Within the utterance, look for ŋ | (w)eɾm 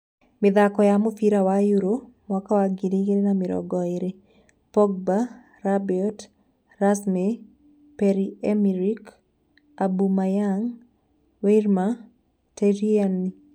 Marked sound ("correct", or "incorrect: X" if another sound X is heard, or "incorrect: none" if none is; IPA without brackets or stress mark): correct